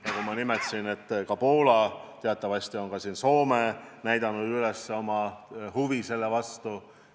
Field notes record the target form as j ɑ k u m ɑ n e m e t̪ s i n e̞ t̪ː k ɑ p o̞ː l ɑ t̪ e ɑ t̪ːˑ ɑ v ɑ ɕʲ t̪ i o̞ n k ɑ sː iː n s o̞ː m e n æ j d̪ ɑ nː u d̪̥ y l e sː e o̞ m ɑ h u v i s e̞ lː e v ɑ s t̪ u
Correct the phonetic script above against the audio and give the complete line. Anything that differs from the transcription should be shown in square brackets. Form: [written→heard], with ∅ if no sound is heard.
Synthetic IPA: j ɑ k u m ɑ n [e→i] m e t̪ s i n e̞ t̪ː k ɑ p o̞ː l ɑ t̪ e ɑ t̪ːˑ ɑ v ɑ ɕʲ t̪ i o̞ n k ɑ [sː→s] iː n s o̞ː m e n æ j d̪ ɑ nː u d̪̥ y l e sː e o̞ m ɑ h u v i s e̞ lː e v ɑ s t̪ u